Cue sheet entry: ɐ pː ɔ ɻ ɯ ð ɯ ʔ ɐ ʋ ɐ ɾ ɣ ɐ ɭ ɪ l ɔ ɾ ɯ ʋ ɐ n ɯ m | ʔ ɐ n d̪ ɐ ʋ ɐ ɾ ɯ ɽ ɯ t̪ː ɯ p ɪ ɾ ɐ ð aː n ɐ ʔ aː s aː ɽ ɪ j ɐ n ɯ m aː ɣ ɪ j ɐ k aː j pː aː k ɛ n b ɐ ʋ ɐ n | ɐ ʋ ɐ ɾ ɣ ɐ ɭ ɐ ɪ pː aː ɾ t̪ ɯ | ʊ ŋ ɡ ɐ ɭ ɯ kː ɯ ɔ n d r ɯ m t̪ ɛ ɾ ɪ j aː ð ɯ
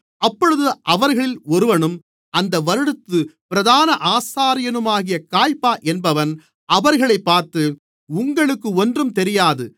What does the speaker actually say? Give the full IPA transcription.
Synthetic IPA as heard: ɐ pː ɔ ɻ ɯ ð ɯ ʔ ɐ ʋ ɐ ɾ ɣ ɐ ɭ ɪ l ɔ ɾ ɯ ʋ ɐ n ɯ m | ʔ ɐ n d̪ ɐ ʋ ɐ ɾ ɯ ɽ ɯ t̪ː ɯ p ɪ ɾ ɐ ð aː n ɐ ʔ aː s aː ɾ ɪ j ɐ n ɯ m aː ɣ ɪ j ɐ k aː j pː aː ʔ ɛ n b ɐ ʋ ɐ n | ɐ ʋ ɐ ɾ ɣ ɐ ɭ ɐ ɪ pː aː ɾ t̪ ɯ | ʊ ŋ ɡ ɐ ɭ ɯ kː ɯ ɔ n d r ɯ m t̪ ɛ ɾ ɪ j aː ð ɯ